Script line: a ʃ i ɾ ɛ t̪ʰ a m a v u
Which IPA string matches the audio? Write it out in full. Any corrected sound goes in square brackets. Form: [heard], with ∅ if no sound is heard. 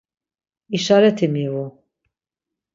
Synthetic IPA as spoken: [i] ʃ [a] ɾ ɛ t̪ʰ [i] m [i] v u